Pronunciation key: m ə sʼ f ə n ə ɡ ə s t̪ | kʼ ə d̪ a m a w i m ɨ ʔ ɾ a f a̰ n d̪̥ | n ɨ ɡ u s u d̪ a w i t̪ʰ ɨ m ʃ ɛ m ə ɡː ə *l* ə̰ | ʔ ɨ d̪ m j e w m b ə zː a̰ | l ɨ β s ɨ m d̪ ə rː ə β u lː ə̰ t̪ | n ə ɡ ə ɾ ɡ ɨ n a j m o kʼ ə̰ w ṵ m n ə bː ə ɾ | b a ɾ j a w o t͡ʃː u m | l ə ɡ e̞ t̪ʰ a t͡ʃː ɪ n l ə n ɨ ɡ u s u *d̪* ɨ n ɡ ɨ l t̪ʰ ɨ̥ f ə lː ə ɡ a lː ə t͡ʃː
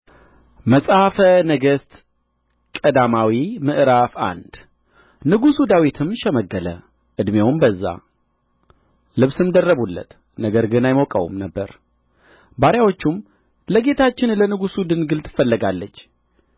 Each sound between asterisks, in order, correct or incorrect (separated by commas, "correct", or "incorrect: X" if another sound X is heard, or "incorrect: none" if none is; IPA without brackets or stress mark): correct, correct